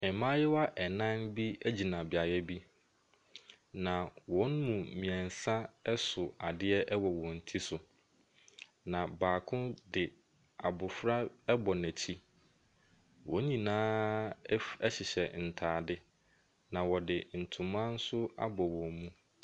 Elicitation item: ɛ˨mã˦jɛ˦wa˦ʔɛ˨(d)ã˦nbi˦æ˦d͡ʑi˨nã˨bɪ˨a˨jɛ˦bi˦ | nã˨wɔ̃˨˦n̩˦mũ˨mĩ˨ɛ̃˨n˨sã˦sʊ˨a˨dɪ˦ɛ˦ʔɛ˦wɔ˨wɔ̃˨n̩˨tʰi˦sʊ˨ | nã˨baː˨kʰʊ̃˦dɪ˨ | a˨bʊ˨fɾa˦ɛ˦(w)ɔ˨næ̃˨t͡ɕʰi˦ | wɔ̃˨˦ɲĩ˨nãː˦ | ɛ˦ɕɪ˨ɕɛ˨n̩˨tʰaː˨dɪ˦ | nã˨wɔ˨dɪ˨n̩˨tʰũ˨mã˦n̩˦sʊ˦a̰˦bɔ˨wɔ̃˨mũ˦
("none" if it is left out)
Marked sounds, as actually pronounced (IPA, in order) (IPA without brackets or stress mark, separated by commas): n, b